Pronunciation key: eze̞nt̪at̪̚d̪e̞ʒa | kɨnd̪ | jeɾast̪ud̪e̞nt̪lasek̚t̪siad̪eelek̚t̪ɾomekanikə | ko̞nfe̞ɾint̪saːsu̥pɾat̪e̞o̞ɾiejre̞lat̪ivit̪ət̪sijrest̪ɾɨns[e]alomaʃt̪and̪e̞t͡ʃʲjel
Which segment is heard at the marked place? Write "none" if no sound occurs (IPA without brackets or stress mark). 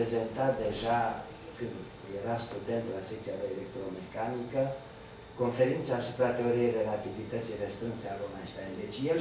e